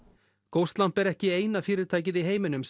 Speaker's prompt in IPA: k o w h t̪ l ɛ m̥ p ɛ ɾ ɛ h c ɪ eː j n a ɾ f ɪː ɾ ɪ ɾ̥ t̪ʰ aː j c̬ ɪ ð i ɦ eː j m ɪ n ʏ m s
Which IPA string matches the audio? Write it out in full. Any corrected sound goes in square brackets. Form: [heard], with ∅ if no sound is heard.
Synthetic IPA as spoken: k o w [s] t̪ l [a] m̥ p ɛ ɾ ɛ h c ɪ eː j n a [∅] f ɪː ɾ ɪ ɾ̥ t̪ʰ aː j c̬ ɪ ð i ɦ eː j m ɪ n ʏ m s